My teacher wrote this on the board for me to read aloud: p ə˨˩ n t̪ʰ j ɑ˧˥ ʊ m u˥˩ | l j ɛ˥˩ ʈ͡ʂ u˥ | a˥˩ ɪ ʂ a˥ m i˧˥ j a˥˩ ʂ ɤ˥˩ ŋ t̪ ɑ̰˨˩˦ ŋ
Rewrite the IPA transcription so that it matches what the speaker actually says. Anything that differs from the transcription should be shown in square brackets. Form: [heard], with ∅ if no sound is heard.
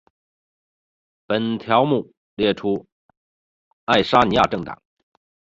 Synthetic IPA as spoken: p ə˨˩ n t̪ʰ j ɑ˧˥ ʊ m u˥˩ | l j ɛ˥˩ [ʈ͡ʂʰ] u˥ | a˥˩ ɪ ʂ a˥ [n] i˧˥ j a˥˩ [ʈ͡ʂ] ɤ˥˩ ŋ t̪ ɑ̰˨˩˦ ŋ